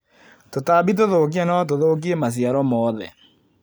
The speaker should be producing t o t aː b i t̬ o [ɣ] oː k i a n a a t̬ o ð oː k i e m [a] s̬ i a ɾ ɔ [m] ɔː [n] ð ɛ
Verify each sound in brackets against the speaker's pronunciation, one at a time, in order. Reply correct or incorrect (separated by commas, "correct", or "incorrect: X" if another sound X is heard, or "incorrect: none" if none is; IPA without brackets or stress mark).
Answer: incorrect: ð, correct, correct, incorrect: none